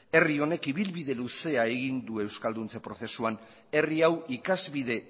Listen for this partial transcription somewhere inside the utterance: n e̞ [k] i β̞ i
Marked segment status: correct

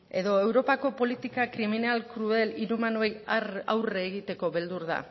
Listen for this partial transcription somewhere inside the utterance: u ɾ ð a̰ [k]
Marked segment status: incorrect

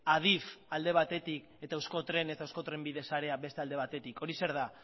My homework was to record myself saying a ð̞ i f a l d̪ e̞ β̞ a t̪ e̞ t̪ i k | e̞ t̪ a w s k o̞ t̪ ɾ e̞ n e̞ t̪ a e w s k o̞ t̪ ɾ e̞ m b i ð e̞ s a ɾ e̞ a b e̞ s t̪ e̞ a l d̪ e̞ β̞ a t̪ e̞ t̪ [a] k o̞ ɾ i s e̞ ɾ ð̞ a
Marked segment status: incorrect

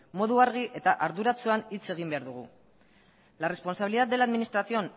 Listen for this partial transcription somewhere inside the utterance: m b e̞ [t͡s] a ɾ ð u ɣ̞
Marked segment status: incorrect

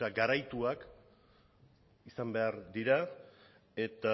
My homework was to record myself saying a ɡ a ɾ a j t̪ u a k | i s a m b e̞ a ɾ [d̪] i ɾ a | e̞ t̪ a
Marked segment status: correct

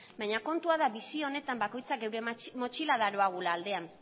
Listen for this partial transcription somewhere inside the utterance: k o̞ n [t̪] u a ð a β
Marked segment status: correct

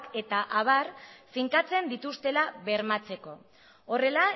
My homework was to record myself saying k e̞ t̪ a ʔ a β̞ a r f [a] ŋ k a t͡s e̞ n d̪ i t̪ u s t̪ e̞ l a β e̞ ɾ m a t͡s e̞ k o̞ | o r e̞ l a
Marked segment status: incorrect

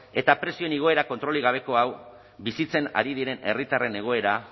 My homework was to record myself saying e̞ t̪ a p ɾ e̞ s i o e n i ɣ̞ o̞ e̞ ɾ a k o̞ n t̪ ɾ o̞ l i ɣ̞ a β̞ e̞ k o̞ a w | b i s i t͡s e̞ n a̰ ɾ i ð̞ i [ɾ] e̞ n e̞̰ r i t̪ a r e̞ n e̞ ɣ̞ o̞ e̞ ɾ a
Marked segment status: correct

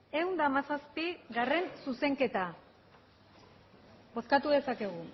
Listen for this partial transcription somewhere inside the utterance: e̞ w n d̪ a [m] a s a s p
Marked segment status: correct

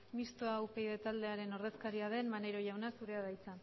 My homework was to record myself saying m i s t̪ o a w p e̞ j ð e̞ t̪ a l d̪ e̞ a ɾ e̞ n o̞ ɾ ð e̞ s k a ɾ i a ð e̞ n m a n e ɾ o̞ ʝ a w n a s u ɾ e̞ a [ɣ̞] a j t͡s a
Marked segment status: incorrect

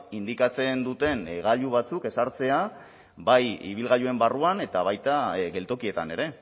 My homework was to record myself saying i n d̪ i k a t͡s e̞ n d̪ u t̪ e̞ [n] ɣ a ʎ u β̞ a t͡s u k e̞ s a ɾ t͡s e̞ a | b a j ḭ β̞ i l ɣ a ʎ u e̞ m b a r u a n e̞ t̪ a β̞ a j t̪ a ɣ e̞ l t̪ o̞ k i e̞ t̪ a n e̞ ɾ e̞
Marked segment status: correct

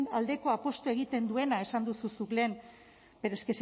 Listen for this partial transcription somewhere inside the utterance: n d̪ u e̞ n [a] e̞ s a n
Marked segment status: correct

